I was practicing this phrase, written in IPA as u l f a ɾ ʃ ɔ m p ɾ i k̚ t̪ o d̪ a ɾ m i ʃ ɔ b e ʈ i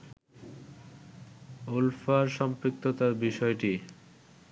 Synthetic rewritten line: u l f a ɾ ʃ ɔ m p ɾ i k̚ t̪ o t̪ a ɾ b i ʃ ɔ e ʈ i